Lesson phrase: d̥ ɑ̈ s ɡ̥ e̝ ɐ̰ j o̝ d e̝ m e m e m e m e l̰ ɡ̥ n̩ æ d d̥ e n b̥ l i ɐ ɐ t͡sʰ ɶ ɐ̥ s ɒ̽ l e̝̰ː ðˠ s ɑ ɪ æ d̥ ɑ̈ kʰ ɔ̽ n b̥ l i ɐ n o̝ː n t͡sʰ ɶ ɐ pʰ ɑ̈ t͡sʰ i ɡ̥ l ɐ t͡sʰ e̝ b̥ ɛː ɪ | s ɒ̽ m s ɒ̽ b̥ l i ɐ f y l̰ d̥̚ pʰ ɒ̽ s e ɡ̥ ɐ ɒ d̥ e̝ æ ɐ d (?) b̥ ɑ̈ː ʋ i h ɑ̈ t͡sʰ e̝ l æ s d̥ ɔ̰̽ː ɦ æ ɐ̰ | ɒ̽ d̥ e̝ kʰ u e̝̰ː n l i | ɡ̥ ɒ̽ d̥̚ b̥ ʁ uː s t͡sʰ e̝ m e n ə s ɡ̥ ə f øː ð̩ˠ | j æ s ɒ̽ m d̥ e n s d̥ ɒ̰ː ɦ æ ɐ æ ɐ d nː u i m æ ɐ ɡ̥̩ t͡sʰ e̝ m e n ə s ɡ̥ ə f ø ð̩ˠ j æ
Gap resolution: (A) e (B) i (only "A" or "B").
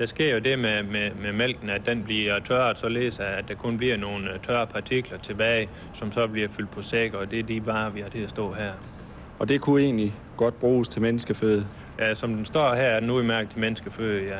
B